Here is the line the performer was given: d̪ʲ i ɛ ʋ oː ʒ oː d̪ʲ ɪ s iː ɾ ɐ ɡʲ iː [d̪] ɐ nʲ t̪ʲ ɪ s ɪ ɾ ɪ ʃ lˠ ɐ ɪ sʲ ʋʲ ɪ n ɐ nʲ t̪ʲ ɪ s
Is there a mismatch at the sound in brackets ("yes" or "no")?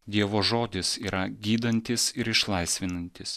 no